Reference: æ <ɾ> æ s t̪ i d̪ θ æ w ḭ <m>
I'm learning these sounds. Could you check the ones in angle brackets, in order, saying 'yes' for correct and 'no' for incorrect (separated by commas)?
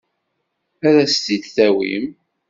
yes, yes